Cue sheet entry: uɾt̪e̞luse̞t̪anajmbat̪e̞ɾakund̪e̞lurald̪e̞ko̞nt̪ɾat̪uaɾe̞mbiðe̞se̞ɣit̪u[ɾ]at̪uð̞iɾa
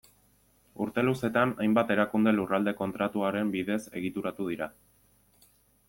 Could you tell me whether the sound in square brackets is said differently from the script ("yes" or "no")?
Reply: no